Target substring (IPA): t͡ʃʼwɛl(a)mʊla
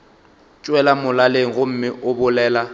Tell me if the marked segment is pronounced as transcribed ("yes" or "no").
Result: yes